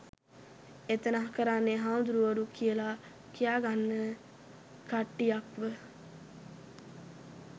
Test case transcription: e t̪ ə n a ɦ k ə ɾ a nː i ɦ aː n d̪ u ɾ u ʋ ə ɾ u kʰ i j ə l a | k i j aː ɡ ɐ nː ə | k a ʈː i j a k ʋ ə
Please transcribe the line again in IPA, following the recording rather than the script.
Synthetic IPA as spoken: e t̪ ə n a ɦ k ə ɾ a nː e ɦ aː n d̪ u ɾ u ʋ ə ɾ u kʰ i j ə l a | k i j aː ɡ a nː ə | k a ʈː i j a k ʋ ə